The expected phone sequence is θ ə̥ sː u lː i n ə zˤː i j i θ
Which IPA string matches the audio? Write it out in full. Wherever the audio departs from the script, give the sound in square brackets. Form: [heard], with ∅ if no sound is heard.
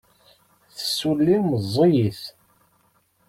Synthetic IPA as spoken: θ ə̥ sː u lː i [m] ə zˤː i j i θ